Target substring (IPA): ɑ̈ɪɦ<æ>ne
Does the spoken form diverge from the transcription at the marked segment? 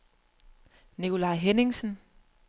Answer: yes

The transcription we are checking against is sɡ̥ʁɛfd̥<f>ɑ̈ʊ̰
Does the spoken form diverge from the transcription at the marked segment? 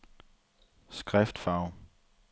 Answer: no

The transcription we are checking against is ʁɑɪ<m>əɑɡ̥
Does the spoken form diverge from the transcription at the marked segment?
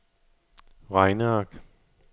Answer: yes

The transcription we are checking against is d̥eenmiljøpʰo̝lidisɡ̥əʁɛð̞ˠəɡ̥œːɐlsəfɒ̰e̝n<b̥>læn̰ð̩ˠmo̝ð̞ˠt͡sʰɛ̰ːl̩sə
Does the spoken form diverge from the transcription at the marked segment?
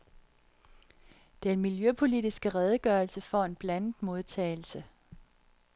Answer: no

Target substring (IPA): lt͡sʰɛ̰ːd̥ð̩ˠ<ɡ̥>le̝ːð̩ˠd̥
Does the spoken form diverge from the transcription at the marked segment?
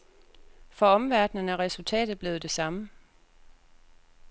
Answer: yes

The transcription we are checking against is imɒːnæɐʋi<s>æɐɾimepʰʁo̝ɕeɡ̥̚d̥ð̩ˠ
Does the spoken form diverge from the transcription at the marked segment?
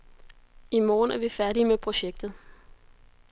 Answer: yes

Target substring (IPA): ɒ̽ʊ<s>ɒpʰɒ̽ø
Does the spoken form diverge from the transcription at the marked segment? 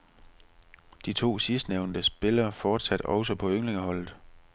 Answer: no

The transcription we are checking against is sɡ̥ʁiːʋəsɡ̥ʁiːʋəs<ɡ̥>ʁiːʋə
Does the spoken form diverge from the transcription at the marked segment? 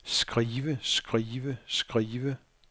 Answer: no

